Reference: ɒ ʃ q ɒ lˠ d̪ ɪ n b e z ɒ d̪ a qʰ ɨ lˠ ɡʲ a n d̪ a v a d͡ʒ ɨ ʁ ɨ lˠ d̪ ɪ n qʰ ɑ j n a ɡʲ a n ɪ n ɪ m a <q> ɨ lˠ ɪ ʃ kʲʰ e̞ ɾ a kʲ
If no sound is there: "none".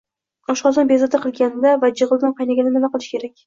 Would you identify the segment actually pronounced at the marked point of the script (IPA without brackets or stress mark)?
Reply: q